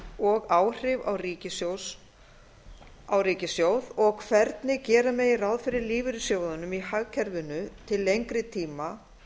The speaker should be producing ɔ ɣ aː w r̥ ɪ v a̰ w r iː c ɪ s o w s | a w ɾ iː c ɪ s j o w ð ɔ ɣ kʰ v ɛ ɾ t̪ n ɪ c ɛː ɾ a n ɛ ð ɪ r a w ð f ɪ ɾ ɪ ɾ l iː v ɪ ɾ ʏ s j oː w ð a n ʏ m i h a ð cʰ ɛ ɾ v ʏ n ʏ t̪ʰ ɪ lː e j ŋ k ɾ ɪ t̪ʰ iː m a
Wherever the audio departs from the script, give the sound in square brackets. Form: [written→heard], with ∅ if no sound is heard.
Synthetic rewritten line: ɔ ɣ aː w r̥ ɪ v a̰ w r iː c ɪ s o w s | a w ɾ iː c ɪ s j o w ð ɔ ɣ kʰ v ɛ ɾ t̪ n ɪ c ɛː ɾ a [n→m] ɛ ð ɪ r a w ð f ɪ ɾ ɪ ɾ l iː v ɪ ɾ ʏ s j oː w ð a n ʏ m i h a [ð→ɣ] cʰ ɛ ɾ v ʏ n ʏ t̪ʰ ɪ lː e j ŋ k ɾ ɪ t̪ʰ iː m a